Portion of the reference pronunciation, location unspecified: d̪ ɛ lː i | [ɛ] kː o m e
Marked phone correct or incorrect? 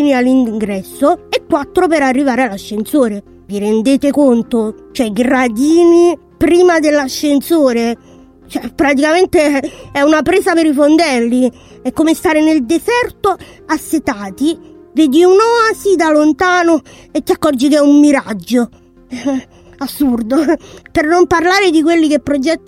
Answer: correct